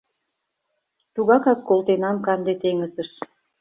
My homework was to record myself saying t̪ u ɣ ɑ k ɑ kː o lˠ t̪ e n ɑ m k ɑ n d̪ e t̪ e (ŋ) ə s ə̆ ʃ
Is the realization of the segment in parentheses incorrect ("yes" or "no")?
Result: no